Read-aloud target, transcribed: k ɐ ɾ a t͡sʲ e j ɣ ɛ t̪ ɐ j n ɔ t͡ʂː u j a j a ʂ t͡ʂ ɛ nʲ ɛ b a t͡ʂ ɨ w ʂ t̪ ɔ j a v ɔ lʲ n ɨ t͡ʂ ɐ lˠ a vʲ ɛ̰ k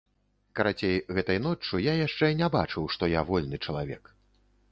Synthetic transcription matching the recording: k ɐ ɾ a t͡sʲ e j ɣ ɛ t̪ ɐ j n ɔ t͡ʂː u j a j a ʂ t͡ʂ ɛ nʲ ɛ b a t͡ʂ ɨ w ʂ t̪ ɔ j a v ɔ lʲ n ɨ t͡ʂ ɐ lˠ a vʲ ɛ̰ k